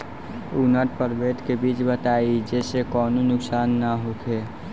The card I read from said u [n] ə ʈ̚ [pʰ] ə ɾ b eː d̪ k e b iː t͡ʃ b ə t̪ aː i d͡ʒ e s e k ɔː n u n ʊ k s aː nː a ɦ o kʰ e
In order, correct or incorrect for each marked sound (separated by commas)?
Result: correct, incorrect